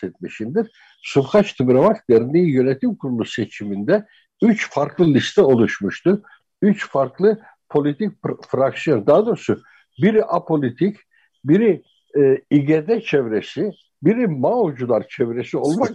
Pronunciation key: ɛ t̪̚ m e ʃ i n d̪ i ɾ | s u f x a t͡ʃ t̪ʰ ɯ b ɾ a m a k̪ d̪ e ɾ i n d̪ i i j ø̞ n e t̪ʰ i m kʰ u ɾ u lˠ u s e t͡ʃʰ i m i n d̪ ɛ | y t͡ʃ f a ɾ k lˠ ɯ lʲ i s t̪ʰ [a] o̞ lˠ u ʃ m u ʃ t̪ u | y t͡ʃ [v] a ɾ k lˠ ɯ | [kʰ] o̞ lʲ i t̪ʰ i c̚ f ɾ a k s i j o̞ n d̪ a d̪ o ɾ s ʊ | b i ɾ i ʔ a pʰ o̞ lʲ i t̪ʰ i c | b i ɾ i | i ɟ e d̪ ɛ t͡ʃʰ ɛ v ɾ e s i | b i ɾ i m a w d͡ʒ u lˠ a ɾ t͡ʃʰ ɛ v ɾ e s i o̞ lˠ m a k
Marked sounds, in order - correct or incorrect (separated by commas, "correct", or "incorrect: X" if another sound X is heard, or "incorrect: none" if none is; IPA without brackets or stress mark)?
incorrect: ɛ, incorrect: f, incorrect: pʰ